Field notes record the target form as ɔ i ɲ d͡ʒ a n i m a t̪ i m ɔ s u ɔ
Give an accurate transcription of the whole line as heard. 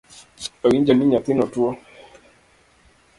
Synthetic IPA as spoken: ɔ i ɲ d͡ʒ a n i ɲ a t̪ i n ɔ t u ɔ

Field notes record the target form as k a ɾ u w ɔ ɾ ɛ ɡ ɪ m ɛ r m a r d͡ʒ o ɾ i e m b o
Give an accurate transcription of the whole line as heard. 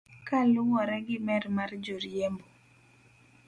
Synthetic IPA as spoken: k a l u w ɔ ɾ ɛ ɡ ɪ m ɛ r m a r d͡ʒ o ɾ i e m b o

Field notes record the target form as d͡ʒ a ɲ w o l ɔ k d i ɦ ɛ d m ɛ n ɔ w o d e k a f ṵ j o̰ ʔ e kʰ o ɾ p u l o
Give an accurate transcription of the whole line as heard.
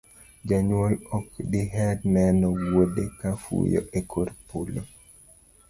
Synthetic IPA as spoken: d͡ʒ a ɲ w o l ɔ k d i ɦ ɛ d n ɛ n ɔ w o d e k a f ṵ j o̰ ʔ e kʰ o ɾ p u l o

